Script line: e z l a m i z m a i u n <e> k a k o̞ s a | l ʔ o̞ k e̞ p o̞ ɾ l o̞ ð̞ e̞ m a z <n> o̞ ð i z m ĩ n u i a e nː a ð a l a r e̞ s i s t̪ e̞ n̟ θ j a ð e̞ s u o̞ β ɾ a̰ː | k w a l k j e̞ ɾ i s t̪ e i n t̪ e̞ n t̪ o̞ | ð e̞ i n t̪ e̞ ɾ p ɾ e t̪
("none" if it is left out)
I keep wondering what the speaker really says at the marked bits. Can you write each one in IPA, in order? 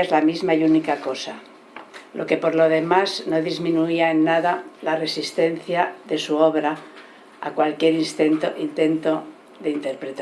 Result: i, n

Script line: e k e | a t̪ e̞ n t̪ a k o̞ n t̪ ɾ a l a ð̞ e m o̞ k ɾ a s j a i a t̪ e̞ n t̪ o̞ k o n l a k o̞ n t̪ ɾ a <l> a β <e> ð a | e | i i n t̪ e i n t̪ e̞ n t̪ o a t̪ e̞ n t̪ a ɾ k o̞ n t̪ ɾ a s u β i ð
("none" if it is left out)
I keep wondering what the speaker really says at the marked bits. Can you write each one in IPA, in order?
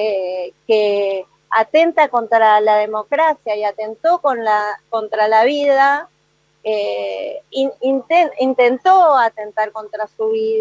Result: l, i

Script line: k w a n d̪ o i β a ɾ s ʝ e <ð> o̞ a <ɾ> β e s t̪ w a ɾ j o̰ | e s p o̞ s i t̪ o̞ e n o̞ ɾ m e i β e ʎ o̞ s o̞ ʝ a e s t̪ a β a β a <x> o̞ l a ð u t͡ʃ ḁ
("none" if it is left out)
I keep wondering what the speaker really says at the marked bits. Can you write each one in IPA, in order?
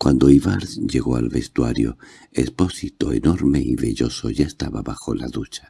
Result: ɣ, l, x

